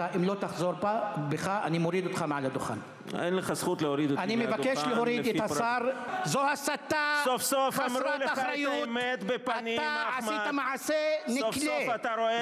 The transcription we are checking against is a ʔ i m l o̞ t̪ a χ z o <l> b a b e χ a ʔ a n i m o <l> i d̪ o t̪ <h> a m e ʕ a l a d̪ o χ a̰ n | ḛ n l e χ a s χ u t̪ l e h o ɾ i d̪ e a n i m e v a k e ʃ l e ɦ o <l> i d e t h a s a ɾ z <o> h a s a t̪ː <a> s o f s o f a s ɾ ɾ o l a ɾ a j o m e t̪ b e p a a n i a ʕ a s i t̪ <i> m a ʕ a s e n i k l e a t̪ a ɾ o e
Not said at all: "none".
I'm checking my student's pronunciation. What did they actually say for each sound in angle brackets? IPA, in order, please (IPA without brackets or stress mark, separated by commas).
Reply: ɾ, ɾ, χ, ɾ, o, a, a